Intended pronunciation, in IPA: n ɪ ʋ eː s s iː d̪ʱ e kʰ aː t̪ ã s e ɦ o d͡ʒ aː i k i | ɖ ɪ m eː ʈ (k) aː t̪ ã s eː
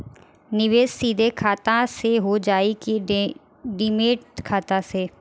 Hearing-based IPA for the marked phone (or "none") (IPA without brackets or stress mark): kʰ